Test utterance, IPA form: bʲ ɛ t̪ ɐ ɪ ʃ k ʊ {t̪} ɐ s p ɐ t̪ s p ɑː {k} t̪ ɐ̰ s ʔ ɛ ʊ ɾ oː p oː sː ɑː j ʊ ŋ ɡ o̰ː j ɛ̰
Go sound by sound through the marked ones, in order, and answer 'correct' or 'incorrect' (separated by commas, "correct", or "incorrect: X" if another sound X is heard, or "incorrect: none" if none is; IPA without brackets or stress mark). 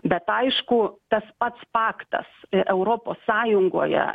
correct, correct